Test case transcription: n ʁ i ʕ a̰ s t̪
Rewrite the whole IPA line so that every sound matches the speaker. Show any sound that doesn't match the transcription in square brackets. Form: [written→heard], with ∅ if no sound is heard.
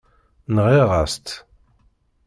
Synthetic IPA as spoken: n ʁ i [ʕ→ʁ] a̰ s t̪